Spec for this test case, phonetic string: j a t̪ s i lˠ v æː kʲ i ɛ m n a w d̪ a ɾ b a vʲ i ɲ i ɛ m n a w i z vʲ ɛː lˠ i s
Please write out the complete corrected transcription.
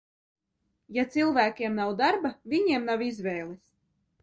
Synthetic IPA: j a t̪ s i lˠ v æː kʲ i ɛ m n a w d̪ a ɾ b a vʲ i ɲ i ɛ m n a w i z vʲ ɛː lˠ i s